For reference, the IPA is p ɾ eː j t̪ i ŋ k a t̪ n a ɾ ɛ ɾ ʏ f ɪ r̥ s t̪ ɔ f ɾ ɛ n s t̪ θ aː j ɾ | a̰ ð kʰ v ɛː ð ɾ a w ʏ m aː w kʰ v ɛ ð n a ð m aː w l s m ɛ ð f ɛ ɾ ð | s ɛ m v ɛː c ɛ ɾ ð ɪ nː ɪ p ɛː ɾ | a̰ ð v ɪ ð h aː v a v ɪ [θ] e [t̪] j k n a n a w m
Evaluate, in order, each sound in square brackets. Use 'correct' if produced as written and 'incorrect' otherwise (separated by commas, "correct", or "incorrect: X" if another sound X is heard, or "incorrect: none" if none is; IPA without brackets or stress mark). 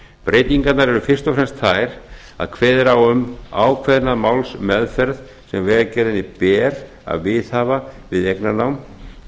incorrect: ð, incorrect: none